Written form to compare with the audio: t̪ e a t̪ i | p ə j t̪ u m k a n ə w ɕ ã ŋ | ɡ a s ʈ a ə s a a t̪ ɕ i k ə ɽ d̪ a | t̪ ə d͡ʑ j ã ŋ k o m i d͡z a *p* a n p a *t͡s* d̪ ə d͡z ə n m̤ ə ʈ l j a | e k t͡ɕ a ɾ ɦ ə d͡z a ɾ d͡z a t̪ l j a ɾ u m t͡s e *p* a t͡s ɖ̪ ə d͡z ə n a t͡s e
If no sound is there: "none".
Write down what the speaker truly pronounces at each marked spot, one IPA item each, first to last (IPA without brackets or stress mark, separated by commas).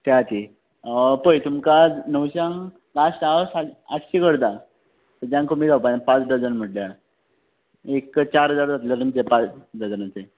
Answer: p, t͡s, p